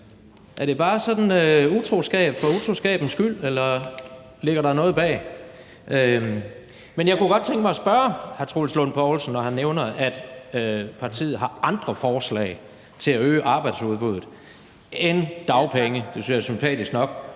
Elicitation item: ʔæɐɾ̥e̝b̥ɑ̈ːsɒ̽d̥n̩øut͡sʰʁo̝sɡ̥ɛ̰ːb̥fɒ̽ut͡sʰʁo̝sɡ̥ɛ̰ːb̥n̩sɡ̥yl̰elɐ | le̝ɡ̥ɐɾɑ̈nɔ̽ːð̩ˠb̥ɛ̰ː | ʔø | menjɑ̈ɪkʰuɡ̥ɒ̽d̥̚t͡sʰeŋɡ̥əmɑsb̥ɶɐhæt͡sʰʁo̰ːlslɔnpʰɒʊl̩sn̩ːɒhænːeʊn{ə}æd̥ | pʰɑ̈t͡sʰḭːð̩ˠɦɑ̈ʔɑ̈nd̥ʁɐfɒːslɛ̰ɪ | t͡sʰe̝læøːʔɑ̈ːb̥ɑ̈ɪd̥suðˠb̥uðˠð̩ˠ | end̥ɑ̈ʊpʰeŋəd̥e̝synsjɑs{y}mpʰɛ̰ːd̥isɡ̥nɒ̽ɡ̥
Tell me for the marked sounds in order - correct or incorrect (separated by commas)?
incorrect, correct